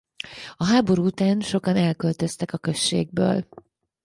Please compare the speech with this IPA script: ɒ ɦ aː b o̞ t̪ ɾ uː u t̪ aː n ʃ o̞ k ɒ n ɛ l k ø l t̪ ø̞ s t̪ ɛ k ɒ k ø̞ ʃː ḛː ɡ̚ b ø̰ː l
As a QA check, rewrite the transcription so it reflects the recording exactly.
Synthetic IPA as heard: ɒ ɦ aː b o̞ ɾ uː u t̪ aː n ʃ o̞ k ɒ n ɛ l k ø l t̪ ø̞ s t̪ ɛ k ɒ k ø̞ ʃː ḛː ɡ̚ b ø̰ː l